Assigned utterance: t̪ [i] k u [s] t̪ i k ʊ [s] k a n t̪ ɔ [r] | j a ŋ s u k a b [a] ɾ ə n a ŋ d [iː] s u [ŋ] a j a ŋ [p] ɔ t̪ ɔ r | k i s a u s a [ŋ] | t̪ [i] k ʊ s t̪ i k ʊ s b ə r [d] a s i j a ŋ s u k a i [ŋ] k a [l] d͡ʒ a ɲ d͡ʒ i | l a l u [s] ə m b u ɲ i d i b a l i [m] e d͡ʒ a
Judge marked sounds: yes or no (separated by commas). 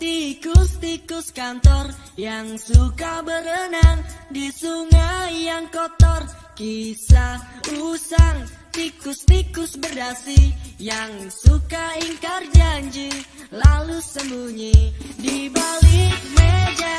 yes, yes, yes, yes, no, no, yes, no, yes, yes, yes, yes, no, yes, yes